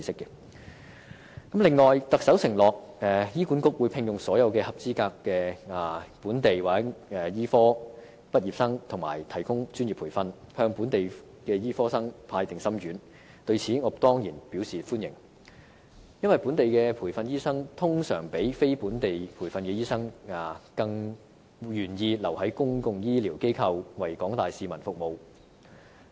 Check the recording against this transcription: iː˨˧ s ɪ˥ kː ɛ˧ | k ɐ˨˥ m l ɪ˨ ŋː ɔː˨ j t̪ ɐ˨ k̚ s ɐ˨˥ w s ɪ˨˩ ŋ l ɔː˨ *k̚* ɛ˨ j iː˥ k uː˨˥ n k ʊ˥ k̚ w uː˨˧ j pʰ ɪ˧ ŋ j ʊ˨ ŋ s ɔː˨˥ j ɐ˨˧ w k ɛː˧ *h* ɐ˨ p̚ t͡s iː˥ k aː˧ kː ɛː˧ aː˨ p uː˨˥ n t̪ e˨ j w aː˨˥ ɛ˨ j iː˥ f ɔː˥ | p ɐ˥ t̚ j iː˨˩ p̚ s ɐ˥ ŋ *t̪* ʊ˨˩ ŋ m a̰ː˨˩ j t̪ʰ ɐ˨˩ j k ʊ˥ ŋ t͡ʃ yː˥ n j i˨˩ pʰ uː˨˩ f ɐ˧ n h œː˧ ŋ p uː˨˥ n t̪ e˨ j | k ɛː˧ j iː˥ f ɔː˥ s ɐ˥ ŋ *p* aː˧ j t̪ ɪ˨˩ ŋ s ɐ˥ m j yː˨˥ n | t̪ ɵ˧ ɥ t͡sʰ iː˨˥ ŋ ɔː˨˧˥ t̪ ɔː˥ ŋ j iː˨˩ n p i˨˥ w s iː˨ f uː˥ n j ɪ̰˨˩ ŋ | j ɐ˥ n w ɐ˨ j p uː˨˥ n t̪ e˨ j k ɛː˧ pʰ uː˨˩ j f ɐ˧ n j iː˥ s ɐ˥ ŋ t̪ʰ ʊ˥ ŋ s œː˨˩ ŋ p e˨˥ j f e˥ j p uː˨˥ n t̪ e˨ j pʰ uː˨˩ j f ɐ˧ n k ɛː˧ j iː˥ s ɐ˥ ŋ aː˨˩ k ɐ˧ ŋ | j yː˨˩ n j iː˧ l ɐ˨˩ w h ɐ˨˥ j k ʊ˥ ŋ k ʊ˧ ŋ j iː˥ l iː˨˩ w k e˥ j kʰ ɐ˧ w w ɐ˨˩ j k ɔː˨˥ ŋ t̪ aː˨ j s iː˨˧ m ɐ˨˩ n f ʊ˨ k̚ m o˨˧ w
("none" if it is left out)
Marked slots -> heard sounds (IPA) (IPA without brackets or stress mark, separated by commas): k̚, h, t̪ʰ, pʰ